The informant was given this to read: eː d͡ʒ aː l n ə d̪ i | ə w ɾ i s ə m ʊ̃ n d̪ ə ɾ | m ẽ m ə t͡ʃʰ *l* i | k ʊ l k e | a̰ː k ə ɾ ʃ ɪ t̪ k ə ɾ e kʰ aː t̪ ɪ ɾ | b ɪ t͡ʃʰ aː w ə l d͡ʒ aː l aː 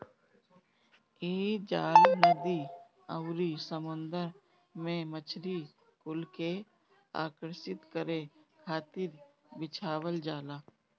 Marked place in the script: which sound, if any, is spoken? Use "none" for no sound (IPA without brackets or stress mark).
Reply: ɾ